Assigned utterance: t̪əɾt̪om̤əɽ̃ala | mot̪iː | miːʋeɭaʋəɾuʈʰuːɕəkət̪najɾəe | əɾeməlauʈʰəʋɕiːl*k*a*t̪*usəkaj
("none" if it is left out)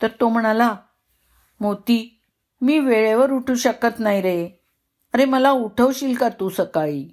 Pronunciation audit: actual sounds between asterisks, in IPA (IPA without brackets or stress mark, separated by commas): k, t̪